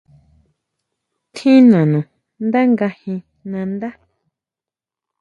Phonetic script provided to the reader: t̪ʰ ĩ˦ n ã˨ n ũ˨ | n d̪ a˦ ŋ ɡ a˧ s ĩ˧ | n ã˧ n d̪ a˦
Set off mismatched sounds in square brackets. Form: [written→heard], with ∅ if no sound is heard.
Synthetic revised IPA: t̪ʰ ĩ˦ n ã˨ n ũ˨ | n d̪ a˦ ŋ ɡ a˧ [s→h] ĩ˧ | n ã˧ n d̪ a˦